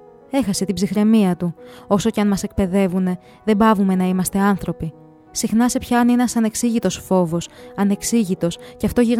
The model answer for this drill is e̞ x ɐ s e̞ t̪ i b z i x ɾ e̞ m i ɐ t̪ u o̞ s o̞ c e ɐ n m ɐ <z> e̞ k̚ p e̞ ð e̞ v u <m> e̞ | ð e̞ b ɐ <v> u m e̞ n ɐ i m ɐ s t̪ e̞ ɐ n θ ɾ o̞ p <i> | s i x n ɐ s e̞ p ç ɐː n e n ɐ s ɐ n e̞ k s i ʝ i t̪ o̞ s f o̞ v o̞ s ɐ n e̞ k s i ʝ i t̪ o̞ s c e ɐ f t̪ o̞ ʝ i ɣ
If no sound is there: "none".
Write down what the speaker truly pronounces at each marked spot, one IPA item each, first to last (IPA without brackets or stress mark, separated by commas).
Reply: s, n, v, i